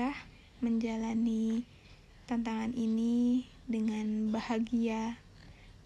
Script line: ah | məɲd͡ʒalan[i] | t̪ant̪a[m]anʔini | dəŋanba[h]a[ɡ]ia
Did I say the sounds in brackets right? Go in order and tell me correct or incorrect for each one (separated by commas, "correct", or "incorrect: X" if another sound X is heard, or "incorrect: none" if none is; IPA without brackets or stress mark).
correct, incorrect: ŋ, correct, correct